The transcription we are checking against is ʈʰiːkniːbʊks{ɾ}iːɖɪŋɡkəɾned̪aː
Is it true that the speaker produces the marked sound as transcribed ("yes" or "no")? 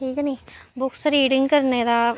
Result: yes